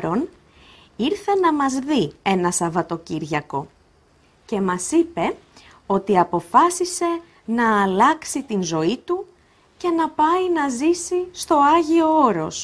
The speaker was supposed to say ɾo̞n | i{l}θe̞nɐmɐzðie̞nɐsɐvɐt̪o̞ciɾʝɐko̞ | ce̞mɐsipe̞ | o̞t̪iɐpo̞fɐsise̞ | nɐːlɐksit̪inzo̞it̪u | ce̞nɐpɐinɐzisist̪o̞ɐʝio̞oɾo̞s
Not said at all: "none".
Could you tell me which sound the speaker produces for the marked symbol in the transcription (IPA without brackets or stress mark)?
ɾ